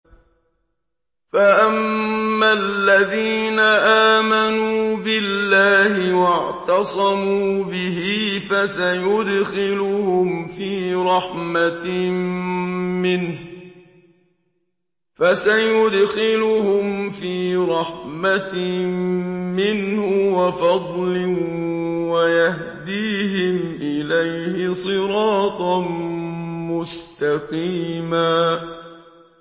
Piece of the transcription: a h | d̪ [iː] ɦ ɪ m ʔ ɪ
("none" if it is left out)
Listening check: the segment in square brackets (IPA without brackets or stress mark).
iː